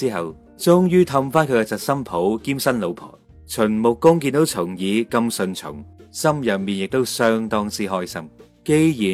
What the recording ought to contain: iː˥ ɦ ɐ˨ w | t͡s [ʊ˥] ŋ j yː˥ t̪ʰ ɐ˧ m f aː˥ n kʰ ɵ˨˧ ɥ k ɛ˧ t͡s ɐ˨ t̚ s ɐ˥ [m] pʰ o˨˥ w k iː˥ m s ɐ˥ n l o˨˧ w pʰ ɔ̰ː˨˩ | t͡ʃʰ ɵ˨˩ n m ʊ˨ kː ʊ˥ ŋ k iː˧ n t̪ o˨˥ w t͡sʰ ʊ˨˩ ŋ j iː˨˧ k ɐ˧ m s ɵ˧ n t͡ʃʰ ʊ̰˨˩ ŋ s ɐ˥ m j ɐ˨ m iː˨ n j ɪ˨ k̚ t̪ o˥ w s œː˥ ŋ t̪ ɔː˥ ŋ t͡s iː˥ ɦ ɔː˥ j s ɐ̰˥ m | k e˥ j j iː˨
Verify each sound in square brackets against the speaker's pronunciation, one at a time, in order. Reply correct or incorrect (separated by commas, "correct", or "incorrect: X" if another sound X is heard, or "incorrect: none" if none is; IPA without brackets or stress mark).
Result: correct, correct